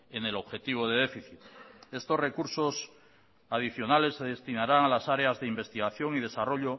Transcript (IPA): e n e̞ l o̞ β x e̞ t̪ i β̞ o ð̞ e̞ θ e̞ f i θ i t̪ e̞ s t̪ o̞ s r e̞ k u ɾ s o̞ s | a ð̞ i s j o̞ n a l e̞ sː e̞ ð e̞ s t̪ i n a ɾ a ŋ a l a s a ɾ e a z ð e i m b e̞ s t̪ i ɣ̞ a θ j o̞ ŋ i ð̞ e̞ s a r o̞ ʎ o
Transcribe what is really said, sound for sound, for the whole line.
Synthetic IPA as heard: e n e̞ l o̞ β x e̞ t̪ i β̞ o ð̞ e̞ ð e̞ f i θ i t̪ e̞ s t̪ o̞ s r e̞ k u ɾ s o̞ s | a ð̞ i θ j o̞ n a l e̞ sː e̞ ð e̞ s t̪ i n a ɾ a ŋ a l a s a ɾ e a z ð e i m b e̞ s t̪ i ɣ̞ a θ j o̞ ŋ i ð̞ e̞ s a r o̞ ʎ o